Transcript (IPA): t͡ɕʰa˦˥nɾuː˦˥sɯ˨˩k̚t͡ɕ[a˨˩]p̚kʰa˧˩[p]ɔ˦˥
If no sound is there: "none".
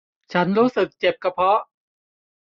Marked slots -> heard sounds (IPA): e˨˩, pʰ

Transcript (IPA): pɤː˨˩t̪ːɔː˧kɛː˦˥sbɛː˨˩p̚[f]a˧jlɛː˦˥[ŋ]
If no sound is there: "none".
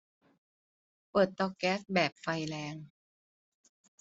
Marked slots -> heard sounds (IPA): f, ŋ

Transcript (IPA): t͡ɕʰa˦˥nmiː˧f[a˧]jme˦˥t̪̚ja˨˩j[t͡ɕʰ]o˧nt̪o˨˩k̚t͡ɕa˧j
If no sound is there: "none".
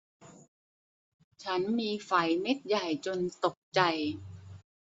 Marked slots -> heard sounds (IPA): a˩˦, t͡ɕ

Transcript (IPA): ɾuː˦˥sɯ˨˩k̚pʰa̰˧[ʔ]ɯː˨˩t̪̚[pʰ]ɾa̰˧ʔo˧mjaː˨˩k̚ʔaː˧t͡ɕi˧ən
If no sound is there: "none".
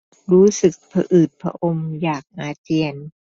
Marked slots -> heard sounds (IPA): ʔ, pʰ

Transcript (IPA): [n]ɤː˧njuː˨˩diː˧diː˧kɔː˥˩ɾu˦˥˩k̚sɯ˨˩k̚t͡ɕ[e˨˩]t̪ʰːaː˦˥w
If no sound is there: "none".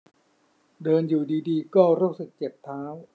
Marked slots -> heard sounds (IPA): d, e˨˩

